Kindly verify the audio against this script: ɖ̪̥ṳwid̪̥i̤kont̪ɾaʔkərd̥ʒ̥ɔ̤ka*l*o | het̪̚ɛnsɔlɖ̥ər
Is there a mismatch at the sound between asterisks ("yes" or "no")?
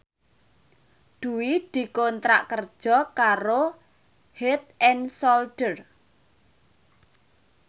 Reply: yes